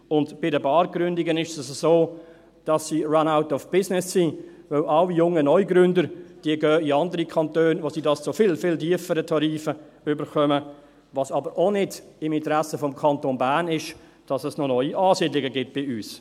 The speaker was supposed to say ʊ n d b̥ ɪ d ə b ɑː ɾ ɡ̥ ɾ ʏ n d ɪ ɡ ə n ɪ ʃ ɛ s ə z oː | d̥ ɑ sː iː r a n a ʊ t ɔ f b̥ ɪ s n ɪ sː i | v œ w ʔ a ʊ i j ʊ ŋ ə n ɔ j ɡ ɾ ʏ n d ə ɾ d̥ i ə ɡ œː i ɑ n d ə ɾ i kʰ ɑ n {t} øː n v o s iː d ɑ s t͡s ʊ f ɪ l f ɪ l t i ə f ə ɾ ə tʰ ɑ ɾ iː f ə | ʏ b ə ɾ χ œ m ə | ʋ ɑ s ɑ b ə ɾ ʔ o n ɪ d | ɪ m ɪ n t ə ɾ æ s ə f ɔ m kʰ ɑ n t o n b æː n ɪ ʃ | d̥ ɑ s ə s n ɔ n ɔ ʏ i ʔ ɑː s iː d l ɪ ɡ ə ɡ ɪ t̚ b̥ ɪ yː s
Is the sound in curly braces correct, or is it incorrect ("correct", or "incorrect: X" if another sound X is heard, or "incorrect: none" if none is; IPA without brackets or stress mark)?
correct